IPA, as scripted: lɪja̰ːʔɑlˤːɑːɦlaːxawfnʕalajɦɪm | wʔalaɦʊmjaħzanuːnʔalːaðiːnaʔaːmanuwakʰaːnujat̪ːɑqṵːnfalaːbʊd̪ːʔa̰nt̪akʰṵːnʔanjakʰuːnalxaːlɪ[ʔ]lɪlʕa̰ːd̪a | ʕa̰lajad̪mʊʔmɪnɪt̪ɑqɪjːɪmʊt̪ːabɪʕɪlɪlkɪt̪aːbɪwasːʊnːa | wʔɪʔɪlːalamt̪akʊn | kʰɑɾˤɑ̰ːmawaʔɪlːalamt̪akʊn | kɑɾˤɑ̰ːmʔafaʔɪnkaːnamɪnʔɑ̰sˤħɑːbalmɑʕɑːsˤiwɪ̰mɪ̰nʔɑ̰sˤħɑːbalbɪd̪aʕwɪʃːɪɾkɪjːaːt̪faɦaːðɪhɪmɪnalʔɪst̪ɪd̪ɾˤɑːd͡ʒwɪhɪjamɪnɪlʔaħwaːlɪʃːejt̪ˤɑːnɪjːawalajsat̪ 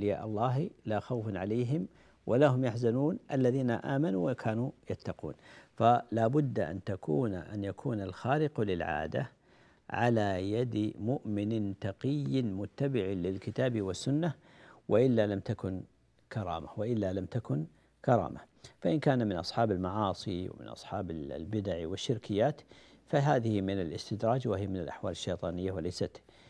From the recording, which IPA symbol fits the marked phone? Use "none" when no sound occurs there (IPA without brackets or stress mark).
q